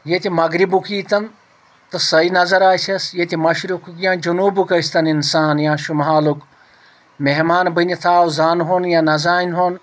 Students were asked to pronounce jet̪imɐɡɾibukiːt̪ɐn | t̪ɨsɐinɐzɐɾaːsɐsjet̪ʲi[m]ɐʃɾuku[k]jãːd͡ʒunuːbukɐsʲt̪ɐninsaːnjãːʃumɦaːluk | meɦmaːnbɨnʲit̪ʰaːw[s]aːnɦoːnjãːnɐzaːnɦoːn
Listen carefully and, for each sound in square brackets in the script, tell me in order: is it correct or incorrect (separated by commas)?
correct, correct, incorrect